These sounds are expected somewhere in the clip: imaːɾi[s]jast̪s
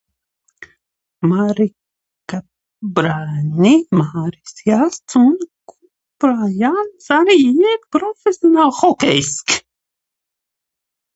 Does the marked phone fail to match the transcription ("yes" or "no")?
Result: no